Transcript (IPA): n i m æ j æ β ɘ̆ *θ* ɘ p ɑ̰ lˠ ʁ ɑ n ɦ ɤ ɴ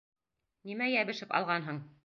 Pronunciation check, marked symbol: incorrect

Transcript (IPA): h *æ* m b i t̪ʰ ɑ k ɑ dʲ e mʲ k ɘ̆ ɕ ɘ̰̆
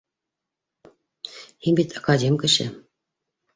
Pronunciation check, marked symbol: incorrect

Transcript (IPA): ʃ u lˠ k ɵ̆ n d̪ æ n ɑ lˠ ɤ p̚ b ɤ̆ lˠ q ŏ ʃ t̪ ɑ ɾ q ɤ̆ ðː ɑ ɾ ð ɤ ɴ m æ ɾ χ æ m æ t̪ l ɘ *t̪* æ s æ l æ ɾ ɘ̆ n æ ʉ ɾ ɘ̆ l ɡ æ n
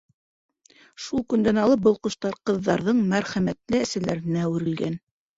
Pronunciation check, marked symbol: incorrect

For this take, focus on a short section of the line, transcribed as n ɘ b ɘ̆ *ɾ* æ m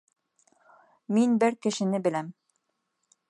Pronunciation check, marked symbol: incorrect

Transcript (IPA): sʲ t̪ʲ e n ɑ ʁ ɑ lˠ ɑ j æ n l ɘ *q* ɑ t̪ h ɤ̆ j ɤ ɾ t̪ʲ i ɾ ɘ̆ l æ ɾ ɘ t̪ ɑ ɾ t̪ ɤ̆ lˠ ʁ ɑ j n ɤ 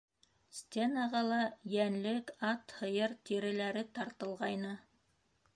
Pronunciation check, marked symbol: incorrect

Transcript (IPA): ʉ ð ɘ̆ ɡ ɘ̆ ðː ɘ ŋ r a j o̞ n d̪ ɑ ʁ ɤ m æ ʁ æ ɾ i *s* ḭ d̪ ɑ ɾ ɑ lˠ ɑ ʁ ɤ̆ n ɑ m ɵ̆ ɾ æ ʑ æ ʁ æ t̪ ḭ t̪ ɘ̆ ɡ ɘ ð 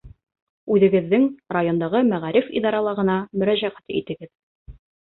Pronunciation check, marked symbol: incorrect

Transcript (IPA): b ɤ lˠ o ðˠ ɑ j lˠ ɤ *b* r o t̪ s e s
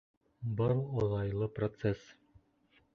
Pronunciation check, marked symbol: incorrect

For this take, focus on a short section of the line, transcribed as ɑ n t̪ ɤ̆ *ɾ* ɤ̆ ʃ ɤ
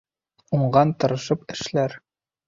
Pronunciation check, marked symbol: correct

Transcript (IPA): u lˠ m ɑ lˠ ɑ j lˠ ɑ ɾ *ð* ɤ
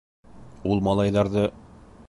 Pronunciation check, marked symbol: correct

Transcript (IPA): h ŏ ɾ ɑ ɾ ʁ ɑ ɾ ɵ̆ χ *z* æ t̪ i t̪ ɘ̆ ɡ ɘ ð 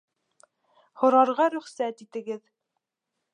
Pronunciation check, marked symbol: incorrect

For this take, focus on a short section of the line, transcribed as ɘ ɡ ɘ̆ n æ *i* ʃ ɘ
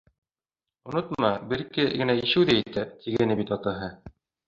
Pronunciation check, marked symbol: correct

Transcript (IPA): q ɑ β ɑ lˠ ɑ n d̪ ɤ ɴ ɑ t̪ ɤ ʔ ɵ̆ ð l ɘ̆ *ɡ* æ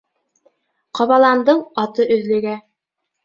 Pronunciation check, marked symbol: correct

